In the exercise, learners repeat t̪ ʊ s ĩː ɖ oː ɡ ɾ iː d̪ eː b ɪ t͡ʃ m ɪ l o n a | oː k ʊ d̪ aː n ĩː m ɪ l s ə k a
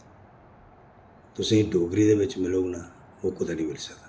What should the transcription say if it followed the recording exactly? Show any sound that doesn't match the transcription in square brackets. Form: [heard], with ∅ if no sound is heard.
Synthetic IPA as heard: t̪ ʊ s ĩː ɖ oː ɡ ɾ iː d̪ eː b ɪ t͡ʃ m ɪ l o n a | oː k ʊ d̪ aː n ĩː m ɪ l s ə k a